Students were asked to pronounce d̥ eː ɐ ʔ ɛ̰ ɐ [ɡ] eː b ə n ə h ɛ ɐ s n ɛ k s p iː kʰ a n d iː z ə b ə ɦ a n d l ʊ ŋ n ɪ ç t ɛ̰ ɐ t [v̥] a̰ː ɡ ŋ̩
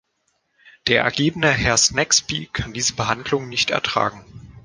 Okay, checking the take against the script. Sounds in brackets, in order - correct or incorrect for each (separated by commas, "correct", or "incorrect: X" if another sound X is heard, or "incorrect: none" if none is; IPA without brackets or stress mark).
correct, incorrect: ʁ̥